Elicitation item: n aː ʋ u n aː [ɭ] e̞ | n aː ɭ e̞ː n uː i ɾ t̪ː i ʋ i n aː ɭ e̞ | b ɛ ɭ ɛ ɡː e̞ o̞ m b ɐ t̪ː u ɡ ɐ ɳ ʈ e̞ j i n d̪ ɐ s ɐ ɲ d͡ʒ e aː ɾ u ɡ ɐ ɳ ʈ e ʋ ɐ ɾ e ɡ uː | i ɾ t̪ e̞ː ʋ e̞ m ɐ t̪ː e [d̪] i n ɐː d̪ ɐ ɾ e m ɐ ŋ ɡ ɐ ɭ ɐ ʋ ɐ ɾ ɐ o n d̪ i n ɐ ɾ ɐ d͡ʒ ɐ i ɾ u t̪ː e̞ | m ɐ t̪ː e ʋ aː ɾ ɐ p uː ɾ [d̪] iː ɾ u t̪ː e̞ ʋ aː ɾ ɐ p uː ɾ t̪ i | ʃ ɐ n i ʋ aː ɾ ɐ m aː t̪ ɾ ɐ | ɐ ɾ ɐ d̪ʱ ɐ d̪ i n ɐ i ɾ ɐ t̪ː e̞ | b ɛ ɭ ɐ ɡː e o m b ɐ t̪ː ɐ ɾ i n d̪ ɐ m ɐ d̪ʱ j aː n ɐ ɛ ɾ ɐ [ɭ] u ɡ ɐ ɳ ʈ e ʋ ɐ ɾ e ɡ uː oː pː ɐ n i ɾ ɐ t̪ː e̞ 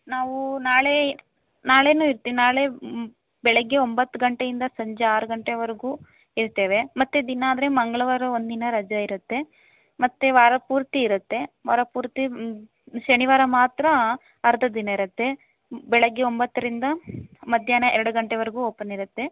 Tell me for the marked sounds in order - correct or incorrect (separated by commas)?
correct, correct, incorrect, incorrect